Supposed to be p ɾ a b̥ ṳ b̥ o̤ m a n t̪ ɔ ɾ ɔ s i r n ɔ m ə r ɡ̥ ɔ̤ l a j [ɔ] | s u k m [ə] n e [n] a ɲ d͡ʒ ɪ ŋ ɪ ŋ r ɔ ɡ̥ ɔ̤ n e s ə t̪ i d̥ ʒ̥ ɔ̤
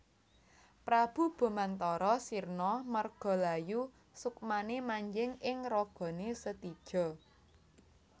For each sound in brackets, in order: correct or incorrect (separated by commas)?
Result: incorrect, incorrect, incorrect